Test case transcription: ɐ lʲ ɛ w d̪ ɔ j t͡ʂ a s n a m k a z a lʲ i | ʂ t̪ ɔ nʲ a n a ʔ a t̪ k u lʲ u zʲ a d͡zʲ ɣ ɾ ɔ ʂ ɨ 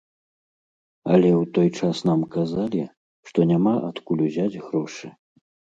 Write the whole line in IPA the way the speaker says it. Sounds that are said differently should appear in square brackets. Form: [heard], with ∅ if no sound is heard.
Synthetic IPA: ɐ lʲ ɛ w [t̪] ɔ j t͡ʂ a s n a m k a z a lʲ i | ʂ t̪ ɔ nʲ a [m] a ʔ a t̪ k u lʲ u zʲ a d͡zʲ ɣ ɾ ɔ ʂ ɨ